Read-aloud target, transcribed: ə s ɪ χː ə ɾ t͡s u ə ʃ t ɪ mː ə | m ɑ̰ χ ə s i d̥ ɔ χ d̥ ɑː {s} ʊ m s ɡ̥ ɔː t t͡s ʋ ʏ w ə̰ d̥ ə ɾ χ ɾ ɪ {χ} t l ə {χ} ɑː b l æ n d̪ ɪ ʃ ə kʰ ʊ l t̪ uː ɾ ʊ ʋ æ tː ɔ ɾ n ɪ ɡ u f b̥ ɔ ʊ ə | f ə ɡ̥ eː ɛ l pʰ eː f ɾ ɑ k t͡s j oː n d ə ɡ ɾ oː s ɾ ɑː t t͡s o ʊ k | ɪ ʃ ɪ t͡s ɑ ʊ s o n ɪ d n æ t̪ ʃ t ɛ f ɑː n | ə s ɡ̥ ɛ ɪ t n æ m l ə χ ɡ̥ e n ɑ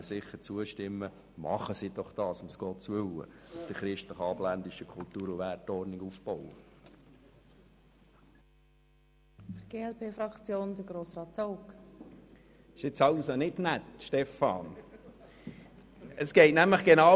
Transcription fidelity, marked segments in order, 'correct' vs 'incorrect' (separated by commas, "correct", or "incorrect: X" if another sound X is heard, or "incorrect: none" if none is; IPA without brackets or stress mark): correct, incorrect: ʃ, correct